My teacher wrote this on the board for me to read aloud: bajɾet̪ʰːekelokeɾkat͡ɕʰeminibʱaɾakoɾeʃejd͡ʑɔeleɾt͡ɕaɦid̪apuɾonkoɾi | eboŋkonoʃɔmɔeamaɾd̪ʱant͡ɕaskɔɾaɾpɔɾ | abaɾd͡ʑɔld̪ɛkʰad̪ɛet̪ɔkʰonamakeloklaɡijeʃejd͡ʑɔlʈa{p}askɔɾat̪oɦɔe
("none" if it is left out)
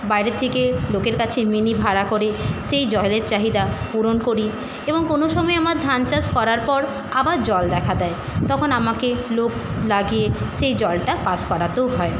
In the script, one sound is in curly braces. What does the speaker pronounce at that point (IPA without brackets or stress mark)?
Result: p